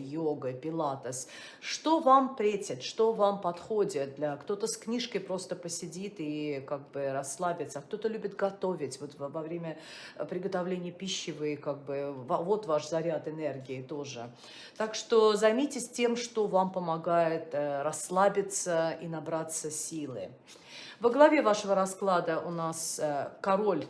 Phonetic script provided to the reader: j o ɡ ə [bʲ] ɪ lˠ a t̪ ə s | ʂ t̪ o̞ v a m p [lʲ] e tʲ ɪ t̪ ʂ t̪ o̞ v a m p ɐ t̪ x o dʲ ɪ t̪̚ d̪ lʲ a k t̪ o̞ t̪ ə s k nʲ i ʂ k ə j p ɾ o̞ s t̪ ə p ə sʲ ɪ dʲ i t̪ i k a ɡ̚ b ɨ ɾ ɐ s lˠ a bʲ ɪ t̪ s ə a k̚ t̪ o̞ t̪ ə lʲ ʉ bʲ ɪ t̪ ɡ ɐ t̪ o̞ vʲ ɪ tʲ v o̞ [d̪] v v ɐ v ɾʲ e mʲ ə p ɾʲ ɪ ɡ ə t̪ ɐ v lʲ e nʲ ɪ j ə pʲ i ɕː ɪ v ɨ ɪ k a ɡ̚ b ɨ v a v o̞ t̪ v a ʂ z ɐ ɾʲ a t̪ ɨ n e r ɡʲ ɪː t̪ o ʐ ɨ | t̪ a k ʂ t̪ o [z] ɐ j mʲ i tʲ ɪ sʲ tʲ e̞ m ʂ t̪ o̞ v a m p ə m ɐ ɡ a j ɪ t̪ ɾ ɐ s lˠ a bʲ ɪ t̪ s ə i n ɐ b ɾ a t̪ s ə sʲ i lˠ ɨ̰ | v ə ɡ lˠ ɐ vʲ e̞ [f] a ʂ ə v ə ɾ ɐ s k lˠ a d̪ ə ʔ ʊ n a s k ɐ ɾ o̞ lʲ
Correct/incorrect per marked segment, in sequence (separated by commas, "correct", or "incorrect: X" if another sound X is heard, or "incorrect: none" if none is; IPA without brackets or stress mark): incorrect: pʲ, incorrect: ɾʲ, incorrect: t̪, correct, incorrect: v